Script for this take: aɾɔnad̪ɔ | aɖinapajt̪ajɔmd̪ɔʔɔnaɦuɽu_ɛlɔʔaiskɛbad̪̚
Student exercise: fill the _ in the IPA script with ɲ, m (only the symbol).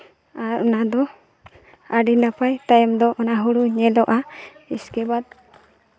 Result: ɲ